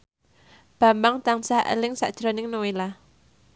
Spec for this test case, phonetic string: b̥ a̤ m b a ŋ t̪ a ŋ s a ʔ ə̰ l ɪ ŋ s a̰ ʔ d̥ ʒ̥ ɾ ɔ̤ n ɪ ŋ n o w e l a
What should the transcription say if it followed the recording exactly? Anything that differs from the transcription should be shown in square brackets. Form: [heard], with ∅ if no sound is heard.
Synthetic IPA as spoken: b̥ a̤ m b a ŋ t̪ a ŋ s a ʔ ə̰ l ɪ ŋ s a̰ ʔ d̥ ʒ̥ ɾ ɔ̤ n ɪ ŋ n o w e l a